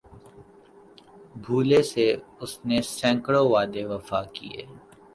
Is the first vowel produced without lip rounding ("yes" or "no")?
no